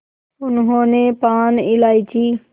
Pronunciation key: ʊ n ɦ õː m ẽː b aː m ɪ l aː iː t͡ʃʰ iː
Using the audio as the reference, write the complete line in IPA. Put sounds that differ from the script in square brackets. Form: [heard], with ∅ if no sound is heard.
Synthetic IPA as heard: ʊ n ɦ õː [n] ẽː [p] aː [n] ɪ l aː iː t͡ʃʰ iː